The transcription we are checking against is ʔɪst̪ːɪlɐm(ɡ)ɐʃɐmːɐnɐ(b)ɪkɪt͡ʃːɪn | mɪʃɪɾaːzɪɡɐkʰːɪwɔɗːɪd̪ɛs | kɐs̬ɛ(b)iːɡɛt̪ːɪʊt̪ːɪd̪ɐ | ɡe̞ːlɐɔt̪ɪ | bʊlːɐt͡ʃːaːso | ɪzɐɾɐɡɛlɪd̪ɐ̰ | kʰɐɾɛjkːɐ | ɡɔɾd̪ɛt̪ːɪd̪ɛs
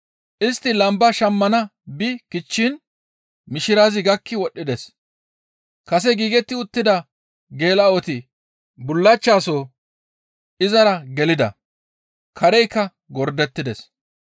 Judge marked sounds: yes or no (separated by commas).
no, yes, no